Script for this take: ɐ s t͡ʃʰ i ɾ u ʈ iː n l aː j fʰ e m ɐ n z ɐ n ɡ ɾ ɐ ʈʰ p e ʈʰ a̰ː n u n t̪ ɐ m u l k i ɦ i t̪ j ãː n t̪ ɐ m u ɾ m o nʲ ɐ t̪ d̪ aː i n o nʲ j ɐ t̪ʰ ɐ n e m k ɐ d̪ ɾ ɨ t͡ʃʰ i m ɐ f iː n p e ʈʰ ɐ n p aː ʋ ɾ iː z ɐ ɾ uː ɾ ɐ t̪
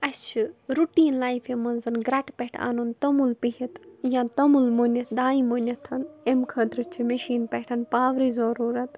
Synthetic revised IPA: ɐ s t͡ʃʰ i ɾ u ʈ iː n l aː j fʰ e m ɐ n z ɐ n ɡ ɾ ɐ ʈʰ p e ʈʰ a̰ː n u n t̪ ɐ m u l p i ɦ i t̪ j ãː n t̪ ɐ m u l m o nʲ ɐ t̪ d̪ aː i m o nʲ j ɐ t̪ʰ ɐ n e m kʰ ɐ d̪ ɾ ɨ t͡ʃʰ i m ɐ ʃ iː n p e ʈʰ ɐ n p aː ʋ ɾ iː z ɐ ɾ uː ɾ ɐ t̪